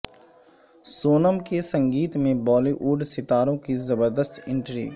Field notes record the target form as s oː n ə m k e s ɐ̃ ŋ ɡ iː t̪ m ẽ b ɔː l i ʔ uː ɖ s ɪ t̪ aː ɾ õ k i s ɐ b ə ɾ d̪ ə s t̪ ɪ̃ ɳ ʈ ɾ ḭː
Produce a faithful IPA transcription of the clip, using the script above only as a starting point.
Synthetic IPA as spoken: s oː n ə m k e s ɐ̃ ŋ ɡ iː t̪ m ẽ b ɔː l i ʔ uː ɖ s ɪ t̪ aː ɾ õ k i z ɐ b ə ɾ d̪ ə s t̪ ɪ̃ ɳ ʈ ɾ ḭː